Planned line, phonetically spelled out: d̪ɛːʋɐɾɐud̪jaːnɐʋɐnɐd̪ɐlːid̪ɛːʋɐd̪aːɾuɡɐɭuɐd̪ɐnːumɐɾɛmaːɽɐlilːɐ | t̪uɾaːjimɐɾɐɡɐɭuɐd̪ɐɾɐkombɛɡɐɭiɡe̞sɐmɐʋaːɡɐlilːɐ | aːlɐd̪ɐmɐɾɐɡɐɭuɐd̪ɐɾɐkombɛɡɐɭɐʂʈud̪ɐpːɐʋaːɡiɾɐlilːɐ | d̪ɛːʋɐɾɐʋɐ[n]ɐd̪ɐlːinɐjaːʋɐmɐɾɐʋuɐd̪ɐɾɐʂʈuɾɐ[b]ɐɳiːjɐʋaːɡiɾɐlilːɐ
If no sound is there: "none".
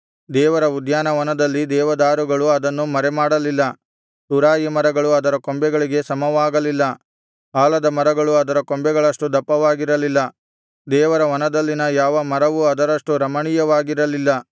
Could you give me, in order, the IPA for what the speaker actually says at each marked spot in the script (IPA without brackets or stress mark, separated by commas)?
n, m